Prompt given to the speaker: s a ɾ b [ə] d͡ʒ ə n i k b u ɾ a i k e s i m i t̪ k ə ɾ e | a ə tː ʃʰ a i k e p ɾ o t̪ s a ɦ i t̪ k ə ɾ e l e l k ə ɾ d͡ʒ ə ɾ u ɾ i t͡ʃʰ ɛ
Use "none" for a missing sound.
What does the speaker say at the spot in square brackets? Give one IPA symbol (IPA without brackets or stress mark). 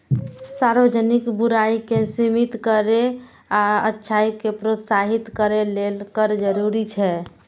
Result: ə